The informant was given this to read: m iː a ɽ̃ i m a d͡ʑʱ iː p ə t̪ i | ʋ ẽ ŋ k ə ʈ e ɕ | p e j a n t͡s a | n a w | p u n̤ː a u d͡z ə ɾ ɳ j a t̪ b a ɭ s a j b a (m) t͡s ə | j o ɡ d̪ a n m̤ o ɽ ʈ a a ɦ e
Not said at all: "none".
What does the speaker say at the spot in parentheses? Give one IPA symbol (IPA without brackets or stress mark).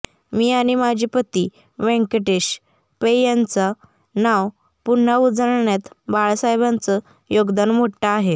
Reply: n